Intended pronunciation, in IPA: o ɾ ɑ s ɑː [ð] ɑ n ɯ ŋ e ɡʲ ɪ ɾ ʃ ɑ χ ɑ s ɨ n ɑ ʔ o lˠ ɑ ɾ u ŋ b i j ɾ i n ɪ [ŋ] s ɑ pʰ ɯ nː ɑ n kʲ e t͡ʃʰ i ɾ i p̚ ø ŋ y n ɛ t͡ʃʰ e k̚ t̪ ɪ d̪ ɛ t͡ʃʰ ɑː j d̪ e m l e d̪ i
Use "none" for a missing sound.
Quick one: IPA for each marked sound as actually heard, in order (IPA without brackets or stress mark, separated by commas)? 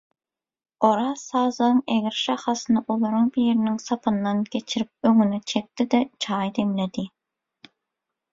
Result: z, ŋ